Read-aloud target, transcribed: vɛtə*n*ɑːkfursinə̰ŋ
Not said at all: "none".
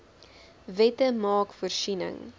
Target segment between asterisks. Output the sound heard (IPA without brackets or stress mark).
m